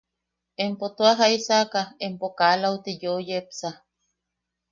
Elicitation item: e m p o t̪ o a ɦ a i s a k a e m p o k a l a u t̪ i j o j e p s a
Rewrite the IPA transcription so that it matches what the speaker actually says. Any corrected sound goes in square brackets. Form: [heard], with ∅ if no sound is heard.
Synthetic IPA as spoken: e m p o t̪ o a ɦ a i s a k a e m p o k a l a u t̪ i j o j e p s a